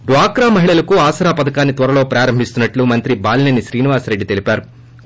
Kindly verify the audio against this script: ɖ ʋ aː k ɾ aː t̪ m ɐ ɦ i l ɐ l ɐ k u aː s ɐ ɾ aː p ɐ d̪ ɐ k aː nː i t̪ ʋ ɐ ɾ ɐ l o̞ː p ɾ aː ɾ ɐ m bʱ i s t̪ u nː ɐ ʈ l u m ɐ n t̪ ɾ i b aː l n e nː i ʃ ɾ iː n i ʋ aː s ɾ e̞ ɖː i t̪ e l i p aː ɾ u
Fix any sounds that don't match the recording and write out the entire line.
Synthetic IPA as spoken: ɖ ʋ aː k ɾ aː m ɐ ɦ i ɭ ɐ l ɐ k u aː s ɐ ɾ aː p ɐ d̪ ɐ k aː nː i t̪ ʋ ɐ ɾ ɐ l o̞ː p ɾ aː ɾ ɐ m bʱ i s t̪ u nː ɐ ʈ l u m ɐ n t̪ ɾ i b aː l n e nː i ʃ ɾ iː n i ʋ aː s ɾ e̞ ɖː i t̪ e l i p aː ɾ u